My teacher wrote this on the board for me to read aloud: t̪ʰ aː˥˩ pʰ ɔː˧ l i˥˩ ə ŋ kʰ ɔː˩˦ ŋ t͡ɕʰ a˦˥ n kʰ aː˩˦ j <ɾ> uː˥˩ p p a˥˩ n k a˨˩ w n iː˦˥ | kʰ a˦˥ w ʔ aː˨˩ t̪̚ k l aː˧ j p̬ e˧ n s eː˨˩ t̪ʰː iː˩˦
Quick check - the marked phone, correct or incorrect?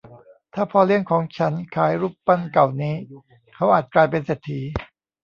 correct